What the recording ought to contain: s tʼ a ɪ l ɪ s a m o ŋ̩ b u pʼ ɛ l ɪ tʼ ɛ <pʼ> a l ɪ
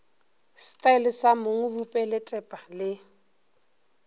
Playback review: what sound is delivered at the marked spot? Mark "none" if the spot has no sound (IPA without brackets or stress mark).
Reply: pʼ